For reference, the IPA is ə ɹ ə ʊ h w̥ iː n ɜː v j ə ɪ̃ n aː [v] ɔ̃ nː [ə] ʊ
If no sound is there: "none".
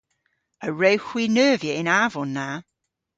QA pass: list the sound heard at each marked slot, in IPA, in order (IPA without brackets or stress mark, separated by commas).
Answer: v, a